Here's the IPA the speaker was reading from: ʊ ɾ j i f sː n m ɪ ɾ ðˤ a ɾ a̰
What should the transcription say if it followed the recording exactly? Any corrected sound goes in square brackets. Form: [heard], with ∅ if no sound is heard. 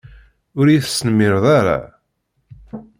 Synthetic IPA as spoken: ʊ ɾ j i [θ] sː n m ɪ ɾ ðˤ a ɾ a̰